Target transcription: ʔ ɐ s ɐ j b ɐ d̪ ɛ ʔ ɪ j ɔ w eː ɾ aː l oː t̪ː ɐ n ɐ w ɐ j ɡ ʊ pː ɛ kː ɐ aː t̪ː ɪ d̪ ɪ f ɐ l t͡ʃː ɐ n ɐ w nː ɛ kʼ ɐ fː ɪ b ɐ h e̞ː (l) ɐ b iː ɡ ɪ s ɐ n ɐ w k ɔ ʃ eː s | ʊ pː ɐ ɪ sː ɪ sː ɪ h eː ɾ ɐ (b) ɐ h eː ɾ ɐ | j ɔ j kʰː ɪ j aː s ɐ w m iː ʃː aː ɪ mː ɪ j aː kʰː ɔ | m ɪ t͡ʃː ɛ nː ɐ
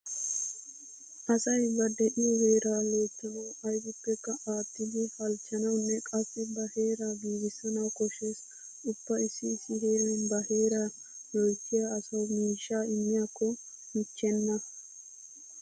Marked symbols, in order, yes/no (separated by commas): no, yes